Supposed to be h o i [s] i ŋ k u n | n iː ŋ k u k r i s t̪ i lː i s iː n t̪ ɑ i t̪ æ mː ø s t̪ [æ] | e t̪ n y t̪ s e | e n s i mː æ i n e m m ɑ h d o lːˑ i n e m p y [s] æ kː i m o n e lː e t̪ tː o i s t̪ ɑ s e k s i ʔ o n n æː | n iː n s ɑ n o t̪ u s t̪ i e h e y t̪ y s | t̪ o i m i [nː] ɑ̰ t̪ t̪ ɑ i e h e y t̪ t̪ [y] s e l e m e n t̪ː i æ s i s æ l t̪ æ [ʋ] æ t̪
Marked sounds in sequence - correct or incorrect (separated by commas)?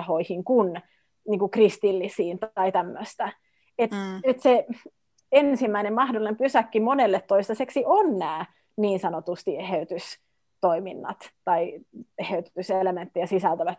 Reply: incorrect, correct, correct, correct, correct, correct